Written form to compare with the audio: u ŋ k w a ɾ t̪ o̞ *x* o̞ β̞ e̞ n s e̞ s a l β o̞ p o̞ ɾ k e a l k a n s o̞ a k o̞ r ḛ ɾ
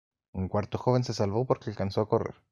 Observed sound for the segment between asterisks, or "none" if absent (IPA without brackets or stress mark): x